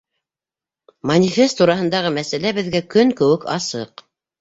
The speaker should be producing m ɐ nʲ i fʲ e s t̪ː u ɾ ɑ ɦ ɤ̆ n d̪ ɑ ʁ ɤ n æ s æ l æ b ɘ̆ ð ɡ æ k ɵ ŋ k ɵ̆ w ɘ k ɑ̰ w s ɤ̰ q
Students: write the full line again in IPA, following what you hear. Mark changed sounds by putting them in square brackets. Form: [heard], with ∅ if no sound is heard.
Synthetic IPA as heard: m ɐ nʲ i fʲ e s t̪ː u ɾ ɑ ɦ ɤ̆ n d̪ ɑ ʁ ɤ [m] æ s æ l æ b ɘ̆ ð ɡ æ k ɵ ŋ k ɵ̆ w ɘ k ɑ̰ [∅] s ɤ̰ q